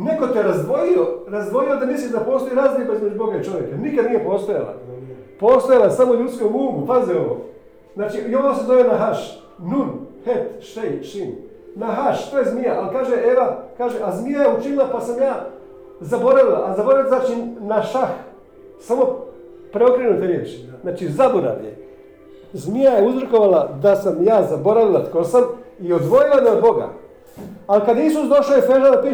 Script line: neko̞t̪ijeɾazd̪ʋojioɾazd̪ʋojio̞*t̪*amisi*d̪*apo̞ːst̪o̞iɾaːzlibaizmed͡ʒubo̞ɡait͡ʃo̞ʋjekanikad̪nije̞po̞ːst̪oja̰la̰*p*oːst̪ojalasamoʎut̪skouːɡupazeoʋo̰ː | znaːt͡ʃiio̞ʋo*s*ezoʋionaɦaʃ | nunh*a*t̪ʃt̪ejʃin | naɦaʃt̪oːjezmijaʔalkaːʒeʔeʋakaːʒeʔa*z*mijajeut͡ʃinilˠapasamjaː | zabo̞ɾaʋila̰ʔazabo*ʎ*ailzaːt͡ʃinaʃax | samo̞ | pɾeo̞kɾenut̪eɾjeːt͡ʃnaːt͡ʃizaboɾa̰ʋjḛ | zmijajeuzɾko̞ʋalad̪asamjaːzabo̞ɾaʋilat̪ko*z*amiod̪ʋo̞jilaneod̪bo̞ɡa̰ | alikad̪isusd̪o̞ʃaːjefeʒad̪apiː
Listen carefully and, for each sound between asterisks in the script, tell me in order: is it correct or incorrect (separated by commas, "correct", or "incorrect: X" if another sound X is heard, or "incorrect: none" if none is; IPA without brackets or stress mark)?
incorrect: d̪, correct, correct, correct, incorrect: e, correct, incorrect: ɾ, incorrect: s